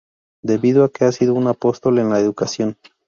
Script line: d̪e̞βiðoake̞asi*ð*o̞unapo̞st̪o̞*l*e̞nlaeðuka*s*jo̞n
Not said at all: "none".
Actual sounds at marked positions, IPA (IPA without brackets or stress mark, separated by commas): ð, l, s